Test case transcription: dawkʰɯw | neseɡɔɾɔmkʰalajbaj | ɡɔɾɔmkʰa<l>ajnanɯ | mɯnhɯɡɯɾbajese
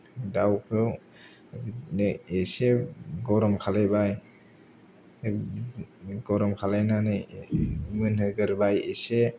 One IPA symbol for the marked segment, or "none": l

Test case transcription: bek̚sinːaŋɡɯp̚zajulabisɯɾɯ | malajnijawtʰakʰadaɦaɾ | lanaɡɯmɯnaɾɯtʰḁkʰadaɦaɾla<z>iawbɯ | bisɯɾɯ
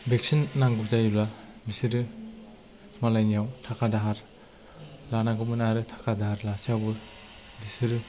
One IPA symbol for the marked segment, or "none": s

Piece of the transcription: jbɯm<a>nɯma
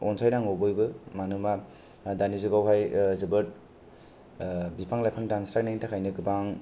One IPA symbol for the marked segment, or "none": a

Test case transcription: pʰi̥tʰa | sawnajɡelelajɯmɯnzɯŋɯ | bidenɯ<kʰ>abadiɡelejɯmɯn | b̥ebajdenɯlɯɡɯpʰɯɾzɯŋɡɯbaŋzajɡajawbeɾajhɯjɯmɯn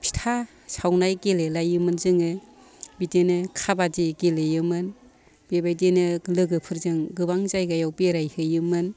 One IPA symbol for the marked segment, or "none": kʰ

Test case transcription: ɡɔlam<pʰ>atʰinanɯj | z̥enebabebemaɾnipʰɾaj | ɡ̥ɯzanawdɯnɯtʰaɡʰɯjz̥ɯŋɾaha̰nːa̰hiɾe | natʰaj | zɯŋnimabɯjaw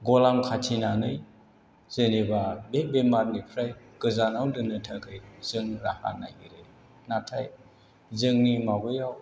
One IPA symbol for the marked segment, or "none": kʰ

